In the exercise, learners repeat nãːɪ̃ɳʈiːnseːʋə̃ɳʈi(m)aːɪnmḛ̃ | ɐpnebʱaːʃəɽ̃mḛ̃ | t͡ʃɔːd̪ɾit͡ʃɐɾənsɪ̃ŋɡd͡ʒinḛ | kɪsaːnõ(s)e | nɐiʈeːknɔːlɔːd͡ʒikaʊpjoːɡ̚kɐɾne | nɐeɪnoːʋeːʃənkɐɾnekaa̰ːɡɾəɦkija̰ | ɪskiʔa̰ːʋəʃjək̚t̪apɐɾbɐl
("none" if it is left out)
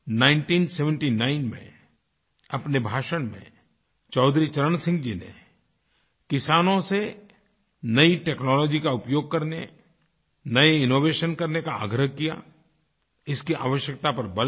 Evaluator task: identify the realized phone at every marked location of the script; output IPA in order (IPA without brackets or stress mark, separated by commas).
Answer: n, s